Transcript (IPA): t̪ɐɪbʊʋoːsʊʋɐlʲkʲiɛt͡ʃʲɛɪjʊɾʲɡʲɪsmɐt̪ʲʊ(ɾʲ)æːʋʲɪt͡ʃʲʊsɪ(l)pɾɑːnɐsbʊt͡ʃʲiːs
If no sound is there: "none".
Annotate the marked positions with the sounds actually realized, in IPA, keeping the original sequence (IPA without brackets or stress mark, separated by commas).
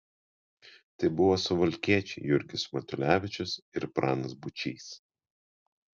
lʲ, ɾ